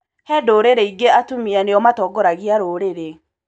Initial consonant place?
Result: glottal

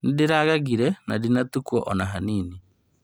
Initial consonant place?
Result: alveolar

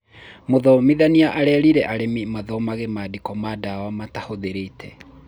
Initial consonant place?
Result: labial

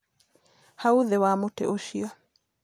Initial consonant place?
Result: glottal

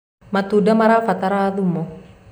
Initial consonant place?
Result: labial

